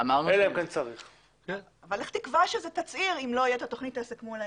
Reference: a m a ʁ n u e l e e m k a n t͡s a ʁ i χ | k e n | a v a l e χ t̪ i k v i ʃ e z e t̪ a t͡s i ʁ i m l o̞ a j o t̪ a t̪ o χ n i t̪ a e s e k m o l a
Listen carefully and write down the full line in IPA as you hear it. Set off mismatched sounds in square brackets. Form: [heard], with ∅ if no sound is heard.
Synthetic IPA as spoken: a m a ʁ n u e l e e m k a n t͡s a ʁ i χ | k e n | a v a l e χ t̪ i k v [a] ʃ e z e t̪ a t͡s i ʁ i m l o̞ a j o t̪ a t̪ o χ n i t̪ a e s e k m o l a